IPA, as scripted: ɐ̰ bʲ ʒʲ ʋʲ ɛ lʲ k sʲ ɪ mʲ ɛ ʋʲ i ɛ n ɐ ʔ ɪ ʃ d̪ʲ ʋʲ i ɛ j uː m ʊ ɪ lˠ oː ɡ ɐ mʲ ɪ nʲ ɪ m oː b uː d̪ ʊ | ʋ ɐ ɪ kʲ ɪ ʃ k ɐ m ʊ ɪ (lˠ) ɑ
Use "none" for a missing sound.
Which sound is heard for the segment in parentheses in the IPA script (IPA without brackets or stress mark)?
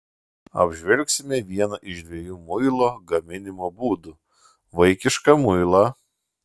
lˠ